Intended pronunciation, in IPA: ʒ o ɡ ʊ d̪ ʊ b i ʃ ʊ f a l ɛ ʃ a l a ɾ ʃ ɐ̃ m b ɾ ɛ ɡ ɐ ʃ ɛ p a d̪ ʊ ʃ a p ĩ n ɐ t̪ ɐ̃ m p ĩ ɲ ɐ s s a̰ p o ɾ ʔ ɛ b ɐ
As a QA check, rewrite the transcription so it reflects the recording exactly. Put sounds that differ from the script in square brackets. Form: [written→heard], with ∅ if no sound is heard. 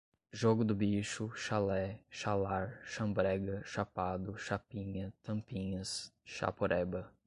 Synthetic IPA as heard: ʒ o ɡ ʊ d̪ ʊ b i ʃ ʊ [f→ʃ] a l ɛ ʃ a l a ɾ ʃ ɐ̃ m b ɾ ɛ ɡ ɐ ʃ [ɛ→a] p a d̪ ʊ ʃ a p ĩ [n→ɲ] ɐ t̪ ɐ̃ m p ĩ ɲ ɐ s [s→ʃ] a̰ p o ɾ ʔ ɛ b ɐ